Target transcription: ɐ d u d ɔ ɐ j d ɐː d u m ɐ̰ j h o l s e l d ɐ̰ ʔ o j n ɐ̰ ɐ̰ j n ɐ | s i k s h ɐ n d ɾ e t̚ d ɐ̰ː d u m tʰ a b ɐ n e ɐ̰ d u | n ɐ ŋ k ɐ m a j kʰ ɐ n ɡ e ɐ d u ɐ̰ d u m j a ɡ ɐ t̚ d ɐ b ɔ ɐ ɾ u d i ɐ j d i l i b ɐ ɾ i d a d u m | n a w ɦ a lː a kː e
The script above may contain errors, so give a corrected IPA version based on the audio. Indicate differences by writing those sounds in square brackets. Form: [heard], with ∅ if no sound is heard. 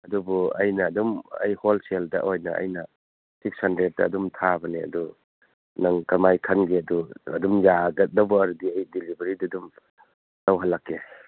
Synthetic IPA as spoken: ɐ d u [b] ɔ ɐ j [n] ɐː d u m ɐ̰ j h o l s e l d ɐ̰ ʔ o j n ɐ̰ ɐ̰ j n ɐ | s i k s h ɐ n d ɾ e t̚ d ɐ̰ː d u m tʰ a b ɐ n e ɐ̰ d u | n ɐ ŋ k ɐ m a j kʰ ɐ n ɡ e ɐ d u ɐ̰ d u m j a ɡ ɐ t̚ d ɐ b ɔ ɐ ɾ u d i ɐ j d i l i b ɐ ɾ i d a d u m | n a w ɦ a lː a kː e